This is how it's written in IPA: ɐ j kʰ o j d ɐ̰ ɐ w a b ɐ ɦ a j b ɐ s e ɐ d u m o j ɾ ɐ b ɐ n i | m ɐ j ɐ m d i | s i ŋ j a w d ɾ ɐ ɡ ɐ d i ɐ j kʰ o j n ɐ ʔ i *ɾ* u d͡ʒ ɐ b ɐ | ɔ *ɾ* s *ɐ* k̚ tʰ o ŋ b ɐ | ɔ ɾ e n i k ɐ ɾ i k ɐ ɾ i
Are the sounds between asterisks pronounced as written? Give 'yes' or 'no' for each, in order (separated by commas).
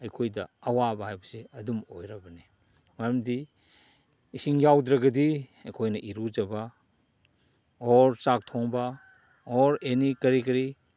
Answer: yes, yes, no